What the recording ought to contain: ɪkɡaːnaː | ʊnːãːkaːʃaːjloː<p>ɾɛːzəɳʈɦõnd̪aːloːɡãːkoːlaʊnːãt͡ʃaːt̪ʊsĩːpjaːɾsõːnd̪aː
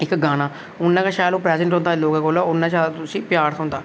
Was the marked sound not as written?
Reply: no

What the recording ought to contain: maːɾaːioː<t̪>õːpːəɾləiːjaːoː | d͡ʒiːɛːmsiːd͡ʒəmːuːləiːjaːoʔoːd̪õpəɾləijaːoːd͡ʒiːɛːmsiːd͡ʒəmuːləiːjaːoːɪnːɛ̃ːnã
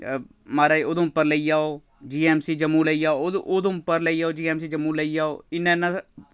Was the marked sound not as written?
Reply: yes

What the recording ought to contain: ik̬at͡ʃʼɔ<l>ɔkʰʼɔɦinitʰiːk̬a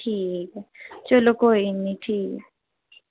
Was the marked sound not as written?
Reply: no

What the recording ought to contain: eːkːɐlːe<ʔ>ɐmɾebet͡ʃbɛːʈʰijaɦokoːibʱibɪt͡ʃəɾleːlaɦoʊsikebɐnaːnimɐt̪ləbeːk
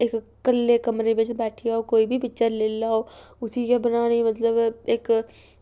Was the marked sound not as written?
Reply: yes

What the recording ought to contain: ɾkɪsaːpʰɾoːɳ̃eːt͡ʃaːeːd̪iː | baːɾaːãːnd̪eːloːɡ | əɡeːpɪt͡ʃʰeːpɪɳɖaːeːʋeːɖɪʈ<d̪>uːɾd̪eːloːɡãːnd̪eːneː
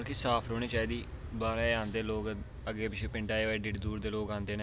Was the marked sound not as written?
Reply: no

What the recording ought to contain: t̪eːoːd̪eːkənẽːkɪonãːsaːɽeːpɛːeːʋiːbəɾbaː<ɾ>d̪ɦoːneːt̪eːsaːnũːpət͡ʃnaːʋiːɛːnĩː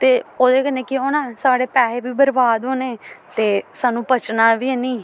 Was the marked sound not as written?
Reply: yes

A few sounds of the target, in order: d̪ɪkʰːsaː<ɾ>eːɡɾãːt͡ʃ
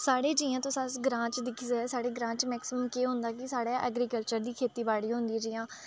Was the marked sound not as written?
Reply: yes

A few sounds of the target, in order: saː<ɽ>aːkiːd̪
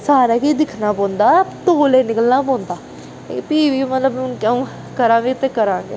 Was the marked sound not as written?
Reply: yes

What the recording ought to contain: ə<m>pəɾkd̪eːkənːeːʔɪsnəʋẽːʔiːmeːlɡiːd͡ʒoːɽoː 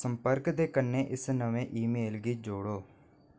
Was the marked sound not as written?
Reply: no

